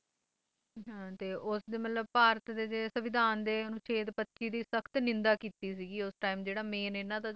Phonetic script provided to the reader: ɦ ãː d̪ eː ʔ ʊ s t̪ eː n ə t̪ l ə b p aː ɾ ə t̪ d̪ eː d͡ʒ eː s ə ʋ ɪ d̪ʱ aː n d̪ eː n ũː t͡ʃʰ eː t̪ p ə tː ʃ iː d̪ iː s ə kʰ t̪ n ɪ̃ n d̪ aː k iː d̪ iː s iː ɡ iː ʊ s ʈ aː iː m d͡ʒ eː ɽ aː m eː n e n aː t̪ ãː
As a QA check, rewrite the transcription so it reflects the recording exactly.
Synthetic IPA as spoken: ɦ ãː t̪ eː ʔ ʊ s d̪ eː m ə t̪ l ə b p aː ɾ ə t̪ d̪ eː d͡ʒ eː s ə ʋ ɪ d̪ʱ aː n d̪ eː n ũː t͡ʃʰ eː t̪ p ə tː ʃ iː d̪ iː s ə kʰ t̪ n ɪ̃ n d̪ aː k iː t̪ iː s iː ɡ iː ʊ s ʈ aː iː m d͡ʒ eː ɽ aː m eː n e n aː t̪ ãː